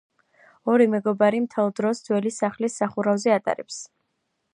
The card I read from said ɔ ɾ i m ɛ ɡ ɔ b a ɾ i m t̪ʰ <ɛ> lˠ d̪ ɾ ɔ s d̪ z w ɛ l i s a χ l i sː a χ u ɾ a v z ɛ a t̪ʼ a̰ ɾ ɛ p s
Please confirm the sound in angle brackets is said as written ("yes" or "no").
yes